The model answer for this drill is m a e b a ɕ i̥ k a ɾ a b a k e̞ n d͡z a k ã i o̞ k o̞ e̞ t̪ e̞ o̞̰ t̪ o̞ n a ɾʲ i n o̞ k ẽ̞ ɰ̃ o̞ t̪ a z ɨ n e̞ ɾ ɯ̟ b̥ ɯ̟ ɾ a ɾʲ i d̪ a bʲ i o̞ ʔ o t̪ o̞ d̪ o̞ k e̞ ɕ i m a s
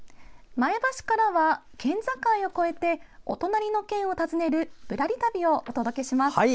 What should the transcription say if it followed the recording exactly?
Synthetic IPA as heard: m a e b a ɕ i̥ k a ɾ a β a k ẽ̞ n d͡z a k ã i o̞ k o̞ e̞ t̪ e̞ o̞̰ t̪ o̞ n a ɾʲ i n o̞ k ẽ̞ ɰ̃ o̞ t̪ a z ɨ n e̞ ɾ ɯ̟ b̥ ɯ̟ ɾ a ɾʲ i t̪ a bʲ i o̞ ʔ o t̪ o̞ d̪ o̞ k e̞ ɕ i m a s